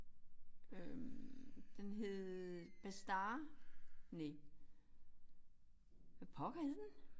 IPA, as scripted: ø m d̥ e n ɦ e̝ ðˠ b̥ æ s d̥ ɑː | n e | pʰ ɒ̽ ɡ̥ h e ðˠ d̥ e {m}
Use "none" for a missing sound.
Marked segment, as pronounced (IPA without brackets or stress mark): n